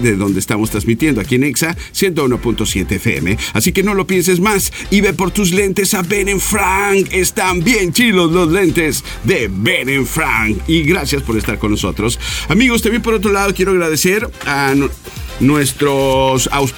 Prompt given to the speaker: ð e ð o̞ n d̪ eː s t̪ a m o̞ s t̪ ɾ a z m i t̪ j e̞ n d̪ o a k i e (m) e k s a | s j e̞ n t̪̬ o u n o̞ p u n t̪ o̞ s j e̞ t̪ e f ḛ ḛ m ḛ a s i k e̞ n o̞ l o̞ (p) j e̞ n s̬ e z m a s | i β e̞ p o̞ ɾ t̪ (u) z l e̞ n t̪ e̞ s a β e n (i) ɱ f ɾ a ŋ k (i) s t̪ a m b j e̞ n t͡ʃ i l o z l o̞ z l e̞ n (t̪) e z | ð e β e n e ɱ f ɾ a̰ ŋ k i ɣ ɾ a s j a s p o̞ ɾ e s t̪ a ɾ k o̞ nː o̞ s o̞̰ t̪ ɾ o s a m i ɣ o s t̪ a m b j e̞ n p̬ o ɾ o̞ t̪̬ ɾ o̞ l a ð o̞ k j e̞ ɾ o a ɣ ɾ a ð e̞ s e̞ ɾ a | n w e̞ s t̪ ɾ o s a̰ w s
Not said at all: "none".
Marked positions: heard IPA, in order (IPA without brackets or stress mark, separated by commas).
n, p, u, e, e, t̪